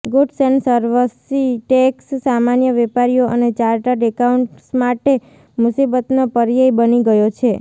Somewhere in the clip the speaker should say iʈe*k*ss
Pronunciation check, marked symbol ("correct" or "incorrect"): correct